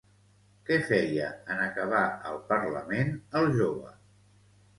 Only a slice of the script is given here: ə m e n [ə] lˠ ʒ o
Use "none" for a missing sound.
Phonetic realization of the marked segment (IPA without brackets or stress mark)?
ə